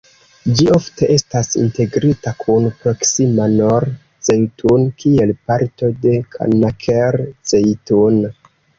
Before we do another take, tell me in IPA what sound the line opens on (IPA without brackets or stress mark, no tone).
d͡ʒ